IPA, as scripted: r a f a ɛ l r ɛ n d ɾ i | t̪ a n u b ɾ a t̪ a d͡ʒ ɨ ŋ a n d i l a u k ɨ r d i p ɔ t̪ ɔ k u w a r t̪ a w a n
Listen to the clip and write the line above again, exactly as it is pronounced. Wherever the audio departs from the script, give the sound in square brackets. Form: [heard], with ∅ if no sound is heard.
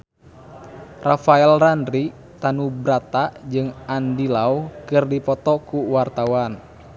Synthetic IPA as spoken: r a f a ɛ l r [a] n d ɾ i | t̪ a n u b ɾ a t̪ a d͡ʒ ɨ ŋ a n d i l a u k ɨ r d i p ɔ t̪ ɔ k u w a r t̪ a w a n